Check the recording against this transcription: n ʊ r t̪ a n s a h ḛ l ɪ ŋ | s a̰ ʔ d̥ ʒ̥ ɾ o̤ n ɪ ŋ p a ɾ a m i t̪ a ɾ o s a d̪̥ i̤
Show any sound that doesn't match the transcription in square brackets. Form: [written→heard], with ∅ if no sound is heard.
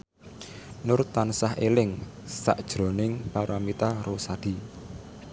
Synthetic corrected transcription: n ʊ r t̪ a n s a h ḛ l ɪ ŋ | s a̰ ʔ d̥ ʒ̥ ɾ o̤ n ɪ ŋ p a ɾ a m i t̪ a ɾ o s a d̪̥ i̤